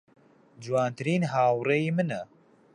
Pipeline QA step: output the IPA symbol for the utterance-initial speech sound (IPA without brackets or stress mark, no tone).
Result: d͡ʒ